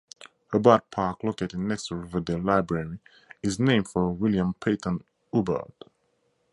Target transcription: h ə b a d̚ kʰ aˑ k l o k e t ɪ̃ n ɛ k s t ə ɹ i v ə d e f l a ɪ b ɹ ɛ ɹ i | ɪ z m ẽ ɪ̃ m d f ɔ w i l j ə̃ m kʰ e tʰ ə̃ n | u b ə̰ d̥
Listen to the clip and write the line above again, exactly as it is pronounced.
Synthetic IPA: h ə b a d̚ pʰ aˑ k l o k e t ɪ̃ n ɛ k s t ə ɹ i v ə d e l a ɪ b ɹ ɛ ɹ i | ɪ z n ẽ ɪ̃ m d f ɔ w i l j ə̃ m pʰ e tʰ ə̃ n | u b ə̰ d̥

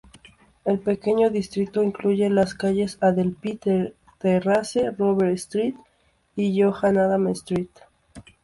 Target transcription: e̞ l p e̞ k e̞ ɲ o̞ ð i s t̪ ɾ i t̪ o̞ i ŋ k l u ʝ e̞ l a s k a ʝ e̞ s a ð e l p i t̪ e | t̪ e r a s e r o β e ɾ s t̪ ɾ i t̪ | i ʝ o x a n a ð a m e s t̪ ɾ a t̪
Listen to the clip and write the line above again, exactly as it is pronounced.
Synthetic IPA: e̞ l p e̞ k e̞ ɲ o̞ ð i s t̪ ɾ i t̪ o̞ i ŋ k l u ʝ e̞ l a s k a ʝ e̞ s a ð e l p i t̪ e | t̪ e r a s e r o β e ɾ s t̪ ɾ i t̪ | i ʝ o x a n a ð a m e s t̪ ɾ i t̪

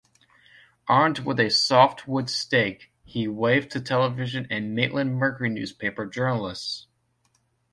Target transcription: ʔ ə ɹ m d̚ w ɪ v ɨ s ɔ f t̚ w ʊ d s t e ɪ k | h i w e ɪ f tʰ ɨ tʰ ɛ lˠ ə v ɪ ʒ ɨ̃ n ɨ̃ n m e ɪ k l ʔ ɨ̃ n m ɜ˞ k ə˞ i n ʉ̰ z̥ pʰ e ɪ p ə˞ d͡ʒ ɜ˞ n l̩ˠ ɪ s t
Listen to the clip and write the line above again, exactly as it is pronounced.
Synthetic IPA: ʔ ɑ ɹ m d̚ w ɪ ð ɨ s ɔ f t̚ w ʊ d s t e ɪ k | h i w e ɪ v tʰ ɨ tʰ ɛ lˠ ə v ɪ ʒ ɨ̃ n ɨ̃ n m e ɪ ʔ l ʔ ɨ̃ n m ɜ˞ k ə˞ i n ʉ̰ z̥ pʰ e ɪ p ə˞ d͡ʒ ɜ˞ n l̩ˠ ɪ s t

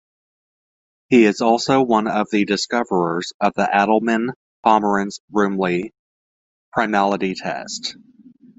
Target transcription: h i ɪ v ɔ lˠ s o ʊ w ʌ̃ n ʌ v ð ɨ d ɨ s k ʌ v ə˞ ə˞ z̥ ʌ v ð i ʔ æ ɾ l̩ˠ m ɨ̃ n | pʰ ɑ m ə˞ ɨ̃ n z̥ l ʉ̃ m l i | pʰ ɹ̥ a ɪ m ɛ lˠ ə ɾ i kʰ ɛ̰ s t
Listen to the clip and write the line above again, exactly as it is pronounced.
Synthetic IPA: h i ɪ z ɔ lˠ s o ʊ w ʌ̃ n ʌ v ð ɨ d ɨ s k ʌ v ə˞ ə˞ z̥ ʌ v ð i ʔ æ ɾ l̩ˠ m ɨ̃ n | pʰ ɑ m ə˞ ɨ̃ n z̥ ɹ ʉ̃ m l i | pʰ ɹ̥ a ɪ m æ lˠ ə ɾ i tʰ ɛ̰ s t

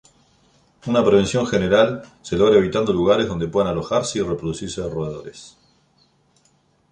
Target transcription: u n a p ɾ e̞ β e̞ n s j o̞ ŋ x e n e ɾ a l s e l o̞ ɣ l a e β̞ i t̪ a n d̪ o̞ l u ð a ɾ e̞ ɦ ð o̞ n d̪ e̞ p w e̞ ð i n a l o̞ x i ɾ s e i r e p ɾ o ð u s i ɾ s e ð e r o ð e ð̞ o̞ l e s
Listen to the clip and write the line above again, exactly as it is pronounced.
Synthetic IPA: u n a p ɾ e̞ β e̞ n s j o̞ ŋ x e n e ɾ a l s e l o̞ ɣ ɾ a e β̞ i t̪ a n d̪ o̞ l u ɣ a ɾ e̞ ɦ ð o̞ n d̪ e̞ p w e̞ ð a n a l o̞ x a ɾ s e i r e p ɾ o ð u s i ɾ s e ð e r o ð e ð̞ o̞ ɾ e s

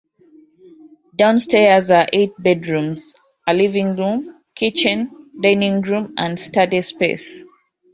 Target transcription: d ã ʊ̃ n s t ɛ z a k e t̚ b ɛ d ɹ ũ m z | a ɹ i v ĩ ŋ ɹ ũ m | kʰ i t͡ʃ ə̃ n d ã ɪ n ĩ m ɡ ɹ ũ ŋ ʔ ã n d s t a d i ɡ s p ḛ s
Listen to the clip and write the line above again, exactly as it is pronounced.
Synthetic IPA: d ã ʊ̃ n s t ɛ z a ʔ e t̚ b ɛ d ɹ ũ m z | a l i v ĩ ŋ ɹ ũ m | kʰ i t͡ʃ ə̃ n d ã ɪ n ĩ ŋ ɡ ɹ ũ m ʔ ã n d s t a d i s p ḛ s

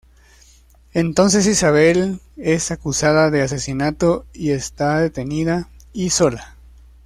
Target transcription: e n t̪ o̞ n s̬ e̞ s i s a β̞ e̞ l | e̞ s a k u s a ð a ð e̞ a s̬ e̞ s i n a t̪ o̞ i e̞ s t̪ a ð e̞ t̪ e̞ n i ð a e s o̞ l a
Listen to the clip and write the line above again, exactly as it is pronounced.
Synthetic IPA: e n t̪ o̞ n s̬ e̞ s i s a β̞ e̞ l | e̞ s a k u s a ð a ð e̞ a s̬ e̞ s i n a t̪ o̞ i e̞ s t̪ a ð e̞ t̪ e̞ n i ð a i s o̞ l a

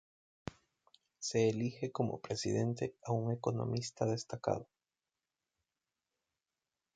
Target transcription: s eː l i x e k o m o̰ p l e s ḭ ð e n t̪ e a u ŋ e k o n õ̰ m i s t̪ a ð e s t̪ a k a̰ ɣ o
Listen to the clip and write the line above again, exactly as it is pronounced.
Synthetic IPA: s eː l i x e k o m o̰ p ɾ e s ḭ ð e n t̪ e a u ŋ e k o n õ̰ m i s t̪ a ð e s t̪ a k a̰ ð o

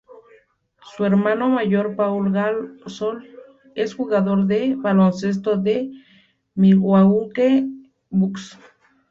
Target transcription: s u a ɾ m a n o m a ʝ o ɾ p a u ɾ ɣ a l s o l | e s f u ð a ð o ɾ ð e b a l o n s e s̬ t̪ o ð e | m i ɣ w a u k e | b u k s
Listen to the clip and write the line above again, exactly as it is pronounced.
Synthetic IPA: s u e ɾ m a n o m a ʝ o ɾ p a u l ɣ a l s o l | e s x u ɣ a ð o ɾ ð e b a l o n s e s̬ t̪ o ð e | m i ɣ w a u k e | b u k s

